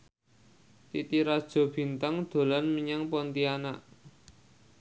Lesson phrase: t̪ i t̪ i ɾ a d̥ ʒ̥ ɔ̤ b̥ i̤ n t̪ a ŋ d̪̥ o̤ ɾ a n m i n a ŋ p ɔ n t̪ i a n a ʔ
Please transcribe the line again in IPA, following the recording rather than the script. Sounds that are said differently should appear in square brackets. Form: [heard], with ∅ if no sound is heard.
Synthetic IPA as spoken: t̪ i t̪ i ɾ a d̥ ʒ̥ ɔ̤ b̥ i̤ n t̪ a ŋ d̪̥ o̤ [l] a n m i [ɲ] a ŋ p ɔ n t̪ i a n a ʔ